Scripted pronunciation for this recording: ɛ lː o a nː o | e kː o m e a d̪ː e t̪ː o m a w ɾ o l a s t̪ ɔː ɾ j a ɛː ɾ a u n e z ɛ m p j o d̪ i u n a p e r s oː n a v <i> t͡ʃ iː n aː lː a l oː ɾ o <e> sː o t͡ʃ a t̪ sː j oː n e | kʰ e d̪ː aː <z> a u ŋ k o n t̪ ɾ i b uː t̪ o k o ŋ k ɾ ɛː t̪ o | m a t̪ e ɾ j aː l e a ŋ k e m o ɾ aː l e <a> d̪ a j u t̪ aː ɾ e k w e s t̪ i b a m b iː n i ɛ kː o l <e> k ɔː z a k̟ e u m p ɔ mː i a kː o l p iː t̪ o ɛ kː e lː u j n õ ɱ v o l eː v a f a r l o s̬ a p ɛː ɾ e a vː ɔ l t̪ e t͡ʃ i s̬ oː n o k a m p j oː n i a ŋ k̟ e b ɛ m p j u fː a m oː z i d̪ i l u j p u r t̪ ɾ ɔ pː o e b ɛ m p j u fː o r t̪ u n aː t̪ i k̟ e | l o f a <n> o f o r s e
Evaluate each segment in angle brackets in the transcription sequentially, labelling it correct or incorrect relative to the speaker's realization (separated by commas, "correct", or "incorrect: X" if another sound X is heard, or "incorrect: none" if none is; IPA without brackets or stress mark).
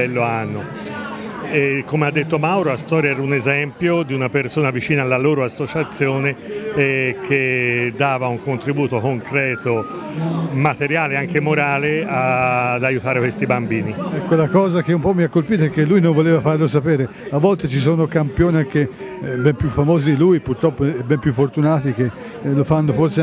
correct, incorrect: a, incorrect: v, correct, incorrect: a, incorrect: nː